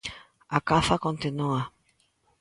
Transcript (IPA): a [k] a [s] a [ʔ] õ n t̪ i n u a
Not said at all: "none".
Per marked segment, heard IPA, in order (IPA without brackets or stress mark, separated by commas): k, f, k